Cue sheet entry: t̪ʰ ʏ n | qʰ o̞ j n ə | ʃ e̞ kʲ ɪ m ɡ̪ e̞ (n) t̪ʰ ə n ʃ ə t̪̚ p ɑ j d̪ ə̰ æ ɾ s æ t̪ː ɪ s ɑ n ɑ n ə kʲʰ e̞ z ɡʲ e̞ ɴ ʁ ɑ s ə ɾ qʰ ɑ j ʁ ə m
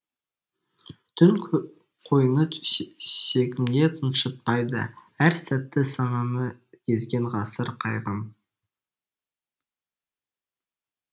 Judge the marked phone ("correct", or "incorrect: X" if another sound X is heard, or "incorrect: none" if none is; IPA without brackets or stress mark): incorrect: none